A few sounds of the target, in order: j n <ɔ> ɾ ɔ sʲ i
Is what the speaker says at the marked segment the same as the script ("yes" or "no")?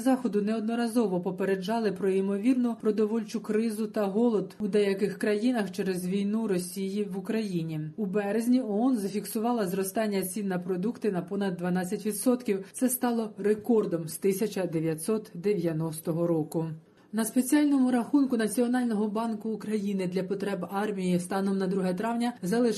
no